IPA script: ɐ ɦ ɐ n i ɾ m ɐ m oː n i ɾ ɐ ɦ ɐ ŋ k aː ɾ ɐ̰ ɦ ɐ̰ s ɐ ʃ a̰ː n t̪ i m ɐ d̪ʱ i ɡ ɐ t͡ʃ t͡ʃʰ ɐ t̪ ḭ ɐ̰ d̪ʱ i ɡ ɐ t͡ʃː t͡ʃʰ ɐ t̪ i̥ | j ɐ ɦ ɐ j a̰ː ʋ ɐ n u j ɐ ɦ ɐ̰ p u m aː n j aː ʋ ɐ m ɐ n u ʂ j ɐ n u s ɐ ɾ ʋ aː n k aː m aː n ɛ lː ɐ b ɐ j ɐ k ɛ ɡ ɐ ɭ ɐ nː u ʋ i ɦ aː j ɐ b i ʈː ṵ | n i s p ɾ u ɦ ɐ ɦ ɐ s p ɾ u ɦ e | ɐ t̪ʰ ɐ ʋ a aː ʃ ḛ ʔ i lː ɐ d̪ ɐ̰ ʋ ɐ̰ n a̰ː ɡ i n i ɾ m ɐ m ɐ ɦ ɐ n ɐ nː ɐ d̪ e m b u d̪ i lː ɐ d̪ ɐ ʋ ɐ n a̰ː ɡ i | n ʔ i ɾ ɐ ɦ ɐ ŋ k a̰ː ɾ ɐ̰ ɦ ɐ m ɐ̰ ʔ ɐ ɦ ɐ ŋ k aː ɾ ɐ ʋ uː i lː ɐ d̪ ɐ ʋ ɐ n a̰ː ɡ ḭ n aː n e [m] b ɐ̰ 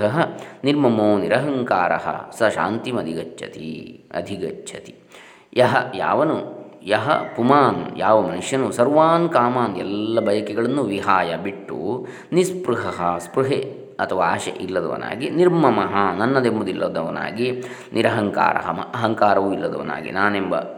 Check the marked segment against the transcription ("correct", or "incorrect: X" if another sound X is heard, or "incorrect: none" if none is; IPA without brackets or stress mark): correct